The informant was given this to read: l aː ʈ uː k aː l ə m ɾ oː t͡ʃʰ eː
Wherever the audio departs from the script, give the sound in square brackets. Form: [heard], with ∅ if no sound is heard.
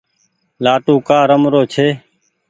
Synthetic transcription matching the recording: l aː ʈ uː k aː [ɾ] ə m ɾ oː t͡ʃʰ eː